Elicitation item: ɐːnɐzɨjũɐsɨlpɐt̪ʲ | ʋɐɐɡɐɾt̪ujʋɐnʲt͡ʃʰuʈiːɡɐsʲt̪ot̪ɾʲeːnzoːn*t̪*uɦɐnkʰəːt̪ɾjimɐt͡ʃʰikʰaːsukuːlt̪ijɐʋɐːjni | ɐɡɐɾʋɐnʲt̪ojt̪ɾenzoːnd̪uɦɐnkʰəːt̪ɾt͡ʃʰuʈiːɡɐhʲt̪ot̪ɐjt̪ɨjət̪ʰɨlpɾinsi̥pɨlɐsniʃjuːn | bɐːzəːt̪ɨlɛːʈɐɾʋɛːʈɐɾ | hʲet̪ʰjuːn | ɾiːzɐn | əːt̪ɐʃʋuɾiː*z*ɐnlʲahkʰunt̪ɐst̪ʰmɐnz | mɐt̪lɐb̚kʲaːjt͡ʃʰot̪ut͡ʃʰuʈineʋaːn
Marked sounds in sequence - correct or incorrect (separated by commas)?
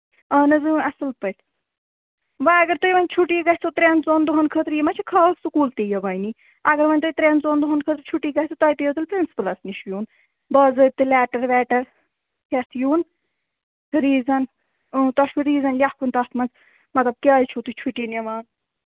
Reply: incorrect, correct